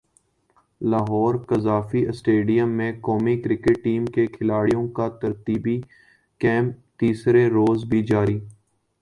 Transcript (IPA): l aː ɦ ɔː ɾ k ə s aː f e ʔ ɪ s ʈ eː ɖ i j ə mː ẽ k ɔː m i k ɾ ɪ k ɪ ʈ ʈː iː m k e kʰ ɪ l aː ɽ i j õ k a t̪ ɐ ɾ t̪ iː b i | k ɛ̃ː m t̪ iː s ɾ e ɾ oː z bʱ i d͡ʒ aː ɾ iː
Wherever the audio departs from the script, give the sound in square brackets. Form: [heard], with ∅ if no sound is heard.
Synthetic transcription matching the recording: l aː ɦ ɔː ɾ k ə [z] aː f [i] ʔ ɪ s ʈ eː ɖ i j ə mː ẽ k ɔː m i k ɾ ɪ k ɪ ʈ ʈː iː m k e kʰ ɪ l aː ɽ i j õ k a t̪ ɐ ɾ t̪ iː b i | k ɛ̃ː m t̪ iː s ɾ e ɾ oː z bʱ i d͡ʒ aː ɾ iː